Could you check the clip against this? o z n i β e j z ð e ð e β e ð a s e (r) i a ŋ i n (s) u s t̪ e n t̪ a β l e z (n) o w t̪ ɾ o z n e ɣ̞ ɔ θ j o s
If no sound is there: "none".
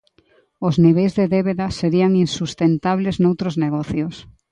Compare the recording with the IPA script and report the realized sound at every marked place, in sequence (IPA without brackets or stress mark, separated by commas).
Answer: ɾ, s, n